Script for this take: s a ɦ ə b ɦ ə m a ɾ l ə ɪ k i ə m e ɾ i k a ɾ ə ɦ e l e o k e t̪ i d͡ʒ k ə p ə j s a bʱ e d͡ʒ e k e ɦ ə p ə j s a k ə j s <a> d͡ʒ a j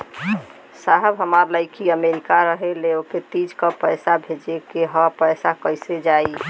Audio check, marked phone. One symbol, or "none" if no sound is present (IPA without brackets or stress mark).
e